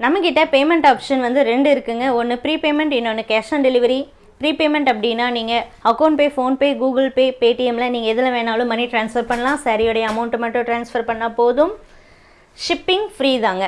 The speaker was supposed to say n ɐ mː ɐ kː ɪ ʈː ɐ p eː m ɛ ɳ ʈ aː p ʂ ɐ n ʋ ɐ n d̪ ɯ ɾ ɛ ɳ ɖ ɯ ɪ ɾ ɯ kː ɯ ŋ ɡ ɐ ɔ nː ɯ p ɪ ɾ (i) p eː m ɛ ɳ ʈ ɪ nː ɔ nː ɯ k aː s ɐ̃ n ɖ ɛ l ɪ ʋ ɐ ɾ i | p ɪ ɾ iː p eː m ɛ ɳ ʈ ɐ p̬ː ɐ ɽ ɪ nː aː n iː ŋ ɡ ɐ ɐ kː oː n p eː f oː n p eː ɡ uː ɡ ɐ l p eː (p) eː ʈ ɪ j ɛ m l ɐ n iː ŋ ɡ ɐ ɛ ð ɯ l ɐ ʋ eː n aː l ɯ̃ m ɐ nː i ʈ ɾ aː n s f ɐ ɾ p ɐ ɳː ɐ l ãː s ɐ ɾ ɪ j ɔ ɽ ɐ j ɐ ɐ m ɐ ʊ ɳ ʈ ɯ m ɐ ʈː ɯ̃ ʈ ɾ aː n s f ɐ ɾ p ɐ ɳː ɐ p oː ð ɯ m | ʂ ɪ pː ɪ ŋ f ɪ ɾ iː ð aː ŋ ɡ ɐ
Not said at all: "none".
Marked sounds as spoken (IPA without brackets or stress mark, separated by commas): iː, p